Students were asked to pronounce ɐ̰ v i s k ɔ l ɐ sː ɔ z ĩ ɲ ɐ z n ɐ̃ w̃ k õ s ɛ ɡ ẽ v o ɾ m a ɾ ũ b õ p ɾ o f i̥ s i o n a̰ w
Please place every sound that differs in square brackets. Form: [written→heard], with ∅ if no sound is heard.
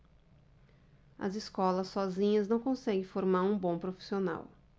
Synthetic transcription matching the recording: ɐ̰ [v→z] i s k ɔ l ɐ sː ɔ z ĩ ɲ ɐ z n ɐ̃ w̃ k õ s ɛ ɡ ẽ [v→f] o ɾ m a ɾ ũ b õ p ɾ o f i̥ s i o n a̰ w